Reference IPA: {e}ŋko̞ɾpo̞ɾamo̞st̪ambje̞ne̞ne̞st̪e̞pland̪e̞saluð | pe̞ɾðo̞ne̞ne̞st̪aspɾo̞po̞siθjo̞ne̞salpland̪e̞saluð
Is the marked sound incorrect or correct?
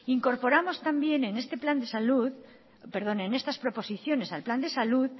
incorrect